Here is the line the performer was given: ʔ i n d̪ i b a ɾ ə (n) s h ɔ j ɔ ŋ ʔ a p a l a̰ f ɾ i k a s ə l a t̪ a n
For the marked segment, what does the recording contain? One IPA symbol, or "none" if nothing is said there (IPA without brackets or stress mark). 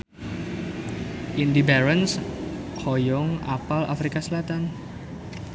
n